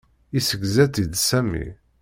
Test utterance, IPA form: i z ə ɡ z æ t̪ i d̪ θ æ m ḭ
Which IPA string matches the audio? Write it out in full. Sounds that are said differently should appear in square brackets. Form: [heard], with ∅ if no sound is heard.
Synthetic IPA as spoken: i [s] ə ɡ z æ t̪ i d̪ [s] æ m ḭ